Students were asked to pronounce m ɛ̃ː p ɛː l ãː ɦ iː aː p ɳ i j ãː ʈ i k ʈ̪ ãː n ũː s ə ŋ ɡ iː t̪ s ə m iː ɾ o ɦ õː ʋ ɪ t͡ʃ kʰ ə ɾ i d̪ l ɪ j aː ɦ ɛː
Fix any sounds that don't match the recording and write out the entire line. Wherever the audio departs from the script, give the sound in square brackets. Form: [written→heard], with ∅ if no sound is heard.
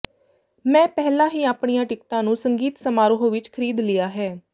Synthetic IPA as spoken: m ɛ̃ː p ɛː l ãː ɦ iː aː p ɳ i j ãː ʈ [i→ɪ] k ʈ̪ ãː n ũː s ə ŋ ɡ iː t̪ s ə m [iː→aː] ɾ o ɦ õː ʋ ɪ t͡ʃ kʰ ə ɾ [i→iː] d̪ l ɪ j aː ɦ ɛː